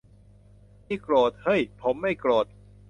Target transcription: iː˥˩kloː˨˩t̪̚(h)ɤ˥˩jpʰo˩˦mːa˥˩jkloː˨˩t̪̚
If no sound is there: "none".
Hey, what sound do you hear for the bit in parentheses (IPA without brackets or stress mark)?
h